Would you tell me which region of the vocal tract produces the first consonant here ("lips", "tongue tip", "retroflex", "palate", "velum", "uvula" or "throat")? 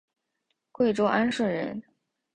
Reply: velum